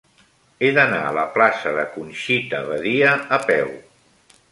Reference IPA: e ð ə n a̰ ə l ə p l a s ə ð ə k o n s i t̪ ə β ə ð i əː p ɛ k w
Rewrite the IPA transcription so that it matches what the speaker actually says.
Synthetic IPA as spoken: e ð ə n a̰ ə l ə p l a s ə ð ə k u n ʃ i t̪ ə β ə ð i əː p ɛ w